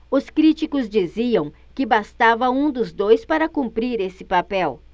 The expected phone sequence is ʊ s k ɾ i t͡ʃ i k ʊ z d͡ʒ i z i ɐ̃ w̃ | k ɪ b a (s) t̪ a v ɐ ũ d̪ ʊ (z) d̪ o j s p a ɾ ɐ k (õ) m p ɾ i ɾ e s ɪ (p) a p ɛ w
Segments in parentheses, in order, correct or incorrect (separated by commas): correct, correct, incorrect, correct